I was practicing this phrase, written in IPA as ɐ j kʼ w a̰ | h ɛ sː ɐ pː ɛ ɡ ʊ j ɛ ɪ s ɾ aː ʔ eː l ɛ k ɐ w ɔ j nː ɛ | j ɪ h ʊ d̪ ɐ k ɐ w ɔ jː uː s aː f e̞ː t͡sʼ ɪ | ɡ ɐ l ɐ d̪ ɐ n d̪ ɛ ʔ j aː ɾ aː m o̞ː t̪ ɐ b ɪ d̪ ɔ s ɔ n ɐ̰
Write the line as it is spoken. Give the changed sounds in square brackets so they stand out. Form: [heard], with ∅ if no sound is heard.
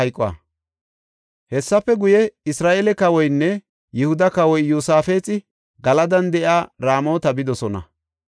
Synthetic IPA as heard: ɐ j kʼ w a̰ | h ɛ sː ɐ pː ɛ ɡ ʊ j ɛ ɪ s ɾ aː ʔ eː l ɛ k ɐ w ɔ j nː ɛ | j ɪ h ʊ d̪ ɐ k ɐ w ɔ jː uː s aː f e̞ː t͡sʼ ɪ | ɡ ɐ l ɐ d̪ ɐ n d̪ ɛ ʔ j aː ɾ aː m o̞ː t̪ ɐ b ɪ d̪ ɔ s ɔ n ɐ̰

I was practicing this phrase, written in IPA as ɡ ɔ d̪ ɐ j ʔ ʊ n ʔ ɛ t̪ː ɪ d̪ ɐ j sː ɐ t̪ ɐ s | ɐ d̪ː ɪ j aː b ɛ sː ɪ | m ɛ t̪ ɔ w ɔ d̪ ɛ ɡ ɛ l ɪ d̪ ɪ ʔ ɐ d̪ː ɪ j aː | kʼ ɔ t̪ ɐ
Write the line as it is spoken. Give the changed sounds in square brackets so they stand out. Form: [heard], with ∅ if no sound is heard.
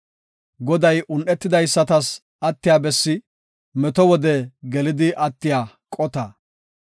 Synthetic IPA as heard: ɡ ɔ d̪ ɐ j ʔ ʊ n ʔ ɛ t̪ː ɪ d̪ ɐ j sː ɐ t̪ ɐ s | ɐ [t̪ː] ɪ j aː b ɛ sː ɪ | m ɛ t̪ ɔ w ɔ d̪ ɛ ɡ ɛ l ɪ d̪ ɪ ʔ ɐ [t̪ː] ɪ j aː | kʼ ɔ t̪ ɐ

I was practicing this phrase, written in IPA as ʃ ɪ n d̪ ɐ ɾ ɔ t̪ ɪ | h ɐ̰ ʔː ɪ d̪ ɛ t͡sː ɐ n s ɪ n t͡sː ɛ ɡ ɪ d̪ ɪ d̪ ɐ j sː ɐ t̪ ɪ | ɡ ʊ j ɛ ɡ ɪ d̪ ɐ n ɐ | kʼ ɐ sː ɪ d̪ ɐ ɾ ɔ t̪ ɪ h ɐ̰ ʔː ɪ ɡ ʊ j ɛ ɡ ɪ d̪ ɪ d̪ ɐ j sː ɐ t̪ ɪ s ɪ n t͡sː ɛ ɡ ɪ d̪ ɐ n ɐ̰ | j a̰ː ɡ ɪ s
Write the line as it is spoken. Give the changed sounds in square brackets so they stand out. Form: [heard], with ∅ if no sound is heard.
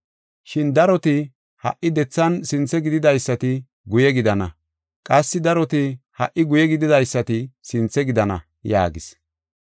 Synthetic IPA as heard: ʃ ɪ n d̪ ɐ ɾ ɔ t̪ ɪ | h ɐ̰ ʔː ɪ d̪ ɛ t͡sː ɐ n s ɪ n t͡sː ɛ ɡ ɪ d̪ ɪ d̪ ɐ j sː ɐ t̪ ɪ | ɡ ʊ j ɛ ɡ ɪ d̪ ɐ n ɐ | kʼ ɐ sː ɪ d̪ ɐ ɾ ɔ t̪ ɪ h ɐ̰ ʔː ɪ ɡ ʊ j ɛ ɡ ɪ d̪ ɪ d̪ ɐ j sː ɐ t̪ ɪ s ɪ n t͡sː ɛ ɡ ɪ d̪ ɐ n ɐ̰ | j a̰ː ɡ ɪ s

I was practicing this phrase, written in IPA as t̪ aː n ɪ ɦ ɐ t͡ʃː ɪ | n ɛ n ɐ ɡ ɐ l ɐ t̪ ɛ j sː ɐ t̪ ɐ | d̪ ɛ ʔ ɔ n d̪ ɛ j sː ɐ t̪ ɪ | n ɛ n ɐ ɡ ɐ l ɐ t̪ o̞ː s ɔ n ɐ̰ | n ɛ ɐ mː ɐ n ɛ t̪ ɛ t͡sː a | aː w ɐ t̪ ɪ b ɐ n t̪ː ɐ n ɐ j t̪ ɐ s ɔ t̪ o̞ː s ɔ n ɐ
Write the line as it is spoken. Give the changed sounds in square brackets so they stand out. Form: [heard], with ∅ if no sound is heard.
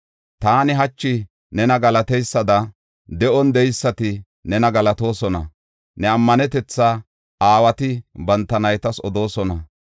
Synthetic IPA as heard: t̪ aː n ɪ ɦ ɐ t͡ʃː ɪ | n ɛ n ɐ ɡ ɐ l ɐ t̪ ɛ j sː ɐ [d̪] ɐ | d̪ ɛ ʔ ɔ n d̪ ɛ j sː ɐ t̪ ɪ | n ɛ n ɐ ɡ ɐ l ɐ t̪ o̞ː s ɔ n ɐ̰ | n ɛ ɐ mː ɐ n ɛ t̪ ɛ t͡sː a | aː w ɐ t̪ ɪ b ɐ n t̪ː ɐ n ɐ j t̪ ɐ s ɔ [d̪] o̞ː s ɔ n ɐ

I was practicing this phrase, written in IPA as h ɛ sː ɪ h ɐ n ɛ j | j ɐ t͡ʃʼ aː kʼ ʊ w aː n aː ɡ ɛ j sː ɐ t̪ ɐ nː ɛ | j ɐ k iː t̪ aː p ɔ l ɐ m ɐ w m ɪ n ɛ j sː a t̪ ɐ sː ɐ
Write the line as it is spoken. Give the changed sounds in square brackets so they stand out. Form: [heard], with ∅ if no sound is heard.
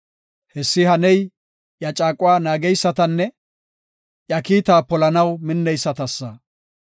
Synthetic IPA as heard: h ɛ sː ɪ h ɐ n ɛ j | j ɐ t͡ʃʼ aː kʼ ʊ w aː n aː ɡ ɛ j sː ɐ t̪ ɐ nː ɛ | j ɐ k iː t̪ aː p ɔ l ɐ [n] ɐ w m ɪ [nː] ɛ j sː [ɐ] t̪ ɐ sː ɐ

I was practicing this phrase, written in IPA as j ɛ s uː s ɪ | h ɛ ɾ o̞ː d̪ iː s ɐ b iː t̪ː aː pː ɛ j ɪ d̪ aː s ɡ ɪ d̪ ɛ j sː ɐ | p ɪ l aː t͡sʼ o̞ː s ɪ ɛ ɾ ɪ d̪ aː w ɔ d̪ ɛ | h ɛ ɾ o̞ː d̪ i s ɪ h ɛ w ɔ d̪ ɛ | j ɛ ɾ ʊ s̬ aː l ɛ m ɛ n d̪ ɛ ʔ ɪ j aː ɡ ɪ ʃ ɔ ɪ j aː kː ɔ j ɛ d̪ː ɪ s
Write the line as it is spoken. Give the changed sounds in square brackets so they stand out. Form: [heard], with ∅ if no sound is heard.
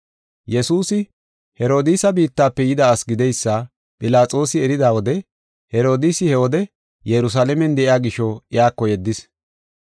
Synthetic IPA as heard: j ɛ s uː s ɪ | h ɛ ɾ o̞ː d̪ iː s ɐ b iː t̪ː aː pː ɛ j ɪ d̪ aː s ɡ ɪ d̪ ɛ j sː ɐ | [pʼ] ɪ l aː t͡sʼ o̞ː s ɪ ɛ ɾ ɪ d̪ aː w ɔ d̪ ɛ | h ɛ ɾ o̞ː d̪ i s ɪ h ɛ w ɔ d̪ ɛ | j ɛ ɾ ʊ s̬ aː l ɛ m ɛ n d̪ ɛ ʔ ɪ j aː ɡ ɪ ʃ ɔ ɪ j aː kː ɔ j ɛ d̪ː ɪ s

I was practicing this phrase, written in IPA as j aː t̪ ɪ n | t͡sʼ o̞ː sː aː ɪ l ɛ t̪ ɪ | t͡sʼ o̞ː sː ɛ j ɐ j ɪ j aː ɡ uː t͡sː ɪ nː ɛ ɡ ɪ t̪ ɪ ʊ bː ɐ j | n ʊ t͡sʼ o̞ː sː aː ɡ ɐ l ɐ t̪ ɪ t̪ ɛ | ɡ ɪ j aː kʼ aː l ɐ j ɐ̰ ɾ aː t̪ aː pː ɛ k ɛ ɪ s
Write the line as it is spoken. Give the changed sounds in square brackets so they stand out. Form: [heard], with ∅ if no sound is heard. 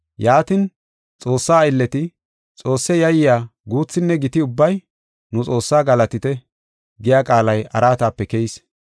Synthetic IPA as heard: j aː t̪ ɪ n | t͡sʼ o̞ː sː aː ɪ [lː] ɛ t̪ ɪ | t͡sʼ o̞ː sː ɛ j ɐ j ɪ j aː ɡ uː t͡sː ɪ nː ɛ ɡ ɪ t̪ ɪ ʊ bː ɐ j | n ʊ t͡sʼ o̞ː sː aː ɡ ɐ l ɐ t̪ ɪ t̪ ɛ | ɡ ɪ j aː kʼ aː l ɐ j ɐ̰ ɾ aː t̪ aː pː ɛ k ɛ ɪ s

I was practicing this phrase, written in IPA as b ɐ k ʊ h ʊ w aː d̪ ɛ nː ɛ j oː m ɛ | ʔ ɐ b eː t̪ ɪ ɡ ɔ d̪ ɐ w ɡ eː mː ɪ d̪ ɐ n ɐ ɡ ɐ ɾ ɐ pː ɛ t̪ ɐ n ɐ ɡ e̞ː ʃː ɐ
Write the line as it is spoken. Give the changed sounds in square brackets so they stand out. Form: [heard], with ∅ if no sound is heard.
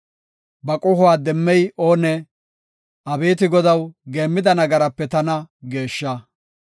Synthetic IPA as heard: b ɐ [kʼ] ʊ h ʊ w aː d̪ ɛ [mː] ɛ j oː [n] ɛ | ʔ ɐ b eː t̪ ɪ ɡ ɔ d̪ ɐ w ɡ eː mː ɪ d̪ ɐ n ɐ ɡ ɐ ɾ ɐ pː ɛ t̪ ɐ n ɐ ɡ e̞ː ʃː ɐ

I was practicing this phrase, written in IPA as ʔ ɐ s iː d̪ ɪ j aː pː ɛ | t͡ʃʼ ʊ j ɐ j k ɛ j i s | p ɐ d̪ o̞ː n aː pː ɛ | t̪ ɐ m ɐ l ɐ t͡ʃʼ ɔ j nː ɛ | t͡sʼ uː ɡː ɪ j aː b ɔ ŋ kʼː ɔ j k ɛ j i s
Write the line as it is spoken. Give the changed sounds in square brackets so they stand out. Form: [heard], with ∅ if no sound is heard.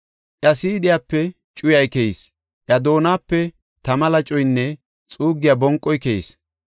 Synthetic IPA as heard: ʔ ɐ s iː d̪ ɪ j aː pː ɛ | t͡ʃʼ ʊ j ɐ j k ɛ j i s | [ʔ] ɐ d̪ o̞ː n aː pː ɛ | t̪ ɐ m ɐ l ɐ t͡ʃʼ ɔ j nː ɛ | t͡sʼ uː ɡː ɪ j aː b ɔ ŋ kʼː ɔ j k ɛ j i s

